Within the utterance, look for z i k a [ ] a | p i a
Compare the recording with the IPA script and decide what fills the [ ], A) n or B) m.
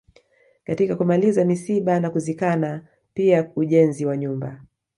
A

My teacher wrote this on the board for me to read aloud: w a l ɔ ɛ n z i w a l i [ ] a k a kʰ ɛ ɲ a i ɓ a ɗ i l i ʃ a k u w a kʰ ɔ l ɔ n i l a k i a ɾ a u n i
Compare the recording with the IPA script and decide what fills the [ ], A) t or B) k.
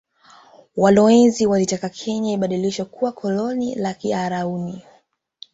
A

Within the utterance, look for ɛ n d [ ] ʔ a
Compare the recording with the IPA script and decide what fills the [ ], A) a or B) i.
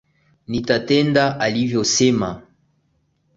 A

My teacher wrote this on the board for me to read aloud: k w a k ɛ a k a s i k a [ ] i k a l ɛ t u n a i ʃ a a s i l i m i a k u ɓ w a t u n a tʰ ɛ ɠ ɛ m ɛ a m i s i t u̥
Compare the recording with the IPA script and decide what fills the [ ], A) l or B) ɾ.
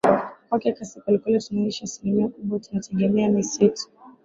A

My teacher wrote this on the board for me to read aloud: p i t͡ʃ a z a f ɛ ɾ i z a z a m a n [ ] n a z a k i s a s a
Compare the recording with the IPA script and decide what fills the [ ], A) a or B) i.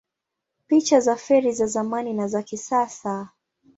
B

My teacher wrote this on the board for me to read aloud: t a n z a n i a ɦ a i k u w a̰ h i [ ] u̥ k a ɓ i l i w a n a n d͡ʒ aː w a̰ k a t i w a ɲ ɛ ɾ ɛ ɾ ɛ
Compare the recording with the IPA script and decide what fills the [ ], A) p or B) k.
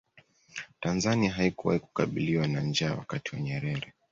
B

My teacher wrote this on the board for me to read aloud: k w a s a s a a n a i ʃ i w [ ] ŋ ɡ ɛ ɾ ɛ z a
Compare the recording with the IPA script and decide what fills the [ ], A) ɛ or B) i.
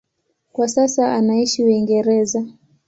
B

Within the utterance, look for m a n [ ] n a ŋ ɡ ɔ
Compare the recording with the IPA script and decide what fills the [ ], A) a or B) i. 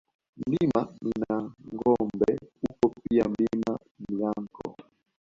B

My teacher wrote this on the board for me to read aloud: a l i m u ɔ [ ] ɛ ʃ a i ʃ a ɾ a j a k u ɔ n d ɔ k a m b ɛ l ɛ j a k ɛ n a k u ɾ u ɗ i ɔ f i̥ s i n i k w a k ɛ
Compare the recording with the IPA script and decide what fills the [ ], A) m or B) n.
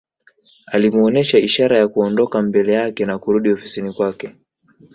B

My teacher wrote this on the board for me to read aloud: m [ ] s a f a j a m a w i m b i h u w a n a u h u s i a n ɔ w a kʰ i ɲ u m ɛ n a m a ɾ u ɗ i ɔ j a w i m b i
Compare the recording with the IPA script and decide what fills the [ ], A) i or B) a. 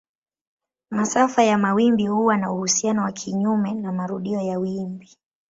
B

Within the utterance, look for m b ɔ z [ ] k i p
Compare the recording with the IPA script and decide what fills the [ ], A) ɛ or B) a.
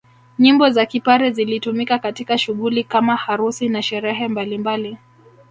B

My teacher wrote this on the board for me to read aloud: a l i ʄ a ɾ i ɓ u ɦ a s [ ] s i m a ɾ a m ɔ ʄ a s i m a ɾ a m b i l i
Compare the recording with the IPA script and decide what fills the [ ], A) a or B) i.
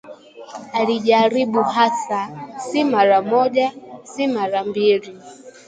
A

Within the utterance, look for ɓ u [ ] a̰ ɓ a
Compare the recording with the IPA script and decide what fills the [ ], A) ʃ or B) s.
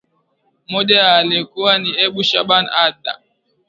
A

